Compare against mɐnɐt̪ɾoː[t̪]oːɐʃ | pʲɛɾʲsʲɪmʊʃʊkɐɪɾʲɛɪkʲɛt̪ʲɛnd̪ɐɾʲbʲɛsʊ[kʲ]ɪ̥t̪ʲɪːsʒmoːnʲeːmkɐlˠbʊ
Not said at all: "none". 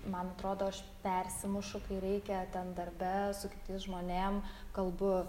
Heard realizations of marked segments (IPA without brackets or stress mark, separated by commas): d̪, kʲ